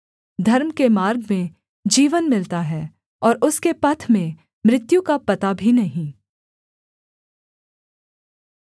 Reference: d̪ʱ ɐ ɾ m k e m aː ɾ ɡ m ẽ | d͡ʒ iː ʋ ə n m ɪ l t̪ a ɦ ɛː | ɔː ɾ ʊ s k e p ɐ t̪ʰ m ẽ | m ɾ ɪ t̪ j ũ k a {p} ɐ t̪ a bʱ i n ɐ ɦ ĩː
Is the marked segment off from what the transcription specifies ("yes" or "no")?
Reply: no